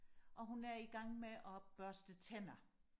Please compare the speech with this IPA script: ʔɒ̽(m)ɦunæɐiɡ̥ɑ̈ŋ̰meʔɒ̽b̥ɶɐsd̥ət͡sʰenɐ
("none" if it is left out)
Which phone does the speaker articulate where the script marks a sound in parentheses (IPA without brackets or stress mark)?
none